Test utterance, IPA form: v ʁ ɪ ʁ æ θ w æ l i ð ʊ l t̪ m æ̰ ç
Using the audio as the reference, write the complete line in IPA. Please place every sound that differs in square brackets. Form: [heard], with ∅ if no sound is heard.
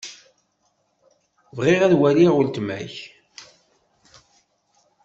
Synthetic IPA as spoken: v ʁ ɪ ʁ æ [ð] w æ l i [ʁ] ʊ l t̪ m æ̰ ç